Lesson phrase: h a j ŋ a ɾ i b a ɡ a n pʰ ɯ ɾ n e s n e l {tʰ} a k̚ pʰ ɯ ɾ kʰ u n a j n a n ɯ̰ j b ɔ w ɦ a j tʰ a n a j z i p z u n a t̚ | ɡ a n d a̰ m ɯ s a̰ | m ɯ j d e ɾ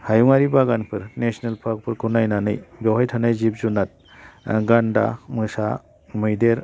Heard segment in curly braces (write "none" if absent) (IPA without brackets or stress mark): pʰ